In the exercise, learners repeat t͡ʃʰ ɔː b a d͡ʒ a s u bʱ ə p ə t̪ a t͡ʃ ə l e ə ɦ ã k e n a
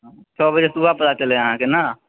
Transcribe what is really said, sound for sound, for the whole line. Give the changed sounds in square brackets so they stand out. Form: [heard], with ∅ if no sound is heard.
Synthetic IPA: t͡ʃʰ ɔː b [ə] d͡ʒ [e] s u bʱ [a] p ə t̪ a t͡ʃ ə l e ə ɦ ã k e n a